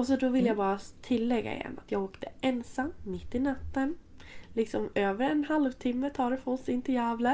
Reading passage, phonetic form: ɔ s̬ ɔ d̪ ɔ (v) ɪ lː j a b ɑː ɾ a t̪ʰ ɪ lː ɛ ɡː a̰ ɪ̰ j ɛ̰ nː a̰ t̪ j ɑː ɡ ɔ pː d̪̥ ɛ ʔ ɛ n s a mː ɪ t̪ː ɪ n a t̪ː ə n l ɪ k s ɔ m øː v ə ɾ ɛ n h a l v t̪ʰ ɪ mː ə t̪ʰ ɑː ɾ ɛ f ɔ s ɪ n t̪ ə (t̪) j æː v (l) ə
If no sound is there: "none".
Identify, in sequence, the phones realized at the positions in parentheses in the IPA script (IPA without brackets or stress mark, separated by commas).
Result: v, none, l